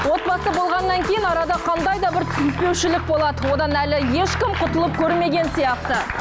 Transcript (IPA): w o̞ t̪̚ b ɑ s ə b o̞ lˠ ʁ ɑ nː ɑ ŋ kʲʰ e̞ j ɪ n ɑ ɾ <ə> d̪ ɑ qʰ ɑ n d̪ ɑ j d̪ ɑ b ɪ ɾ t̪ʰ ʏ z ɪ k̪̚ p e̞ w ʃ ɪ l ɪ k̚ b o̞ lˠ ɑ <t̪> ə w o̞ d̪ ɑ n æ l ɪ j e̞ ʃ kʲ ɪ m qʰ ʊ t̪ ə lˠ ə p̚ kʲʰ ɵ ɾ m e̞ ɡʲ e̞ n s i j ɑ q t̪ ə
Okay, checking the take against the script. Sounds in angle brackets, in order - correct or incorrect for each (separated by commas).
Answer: incorrect, incorrect